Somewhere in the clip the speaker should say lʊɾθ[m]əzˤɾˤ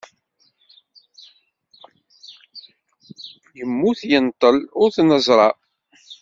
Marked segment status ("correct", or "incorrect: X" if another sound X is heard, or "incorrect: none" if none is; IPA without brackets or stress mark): incorrect: n